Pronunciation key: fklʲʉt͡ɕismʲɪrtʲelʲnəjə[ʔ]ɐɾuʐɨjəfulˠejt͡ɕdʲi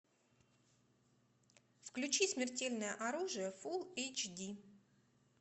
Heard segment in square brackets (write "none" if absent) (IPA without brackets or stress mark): ʔ